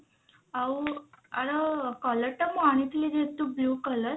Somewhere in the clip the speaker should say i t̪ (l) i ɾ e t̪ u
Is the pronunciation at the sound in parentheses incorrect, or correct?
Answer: correct